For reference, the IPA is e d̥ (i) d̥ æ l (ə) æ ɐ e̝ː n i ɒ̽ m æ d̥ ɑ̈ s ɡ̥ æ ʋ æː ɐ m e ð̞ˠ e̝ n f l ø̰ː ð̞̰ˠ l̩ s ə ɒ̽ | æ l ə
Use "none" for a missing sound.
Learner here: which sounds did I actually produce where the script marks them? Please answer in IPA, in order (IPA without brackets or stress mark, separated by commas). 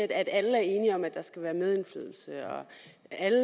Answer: æ, ə